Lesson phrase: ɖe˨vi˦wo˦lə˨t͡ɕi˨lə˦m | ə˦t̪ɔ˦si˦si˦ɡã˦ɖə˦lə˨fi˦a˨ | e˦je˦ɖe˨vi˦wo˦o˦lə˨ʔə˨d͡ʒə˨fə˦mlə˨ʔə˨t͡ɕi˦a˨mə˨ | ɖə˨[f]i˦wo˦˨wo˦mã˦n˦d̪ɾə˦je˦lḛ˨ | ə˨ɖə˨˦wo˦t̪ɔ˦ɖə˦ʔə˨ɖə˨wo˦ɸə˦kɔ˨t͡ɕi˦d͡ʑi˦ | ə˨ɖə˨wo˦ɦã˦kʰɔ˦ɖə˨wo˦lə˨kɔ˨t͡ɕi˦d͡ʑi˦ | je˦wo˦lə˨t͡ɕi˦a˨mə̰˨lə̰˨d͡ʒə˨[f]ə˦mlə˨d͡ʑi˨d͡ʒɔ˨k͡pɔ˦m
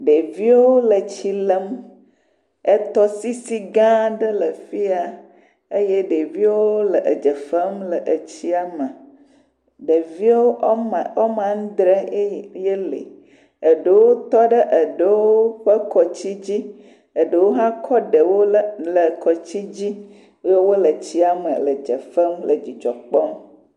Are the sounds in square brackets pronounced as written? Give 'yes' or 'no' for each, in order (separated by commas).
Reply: no, yes